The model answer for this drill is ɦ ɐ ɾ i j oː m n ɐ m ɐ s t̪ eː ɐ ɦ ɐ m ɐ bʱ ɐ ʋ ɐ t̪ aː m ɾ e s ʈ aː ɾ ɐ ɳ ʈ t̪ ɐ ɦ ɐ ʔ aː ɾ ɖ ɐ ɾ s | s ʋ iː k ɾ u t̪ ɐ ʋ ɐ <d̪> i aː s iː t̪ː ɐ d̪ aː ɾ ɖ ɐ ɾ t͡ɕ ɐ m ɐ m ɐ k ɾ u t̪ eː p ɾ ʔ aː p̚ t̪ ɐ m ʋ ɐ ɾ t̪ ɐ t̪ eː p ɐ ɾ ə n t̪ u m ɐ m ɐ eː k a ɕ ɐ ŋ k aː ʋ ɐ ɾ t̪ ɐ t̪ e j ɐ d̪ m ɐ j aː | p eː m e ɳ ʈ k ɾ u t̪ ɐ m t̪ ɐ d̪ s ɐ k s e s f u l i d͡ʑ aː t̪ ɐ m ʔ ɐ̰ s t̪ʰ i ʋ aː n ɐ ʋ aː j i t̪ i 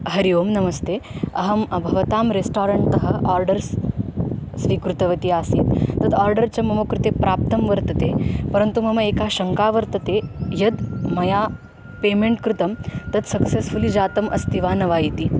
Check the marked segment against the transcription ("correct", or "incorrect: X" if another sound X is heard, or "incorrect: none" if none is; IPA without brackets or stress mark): incorrect: t̪